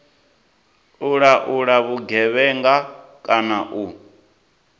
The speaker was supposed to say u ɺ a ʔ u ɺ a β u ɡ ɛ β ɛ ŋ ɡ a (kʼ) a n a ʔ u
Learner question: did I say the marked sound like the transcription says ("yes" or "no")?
yes